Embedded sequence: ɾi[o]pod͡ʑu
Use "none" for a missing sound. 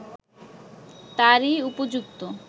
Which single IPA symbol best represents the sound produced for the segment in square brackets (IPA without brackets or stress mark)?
u